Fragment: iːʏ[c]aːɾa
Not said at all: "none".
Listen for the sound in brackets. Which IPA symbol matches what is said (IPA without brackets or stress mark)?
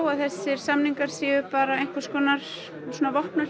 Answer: p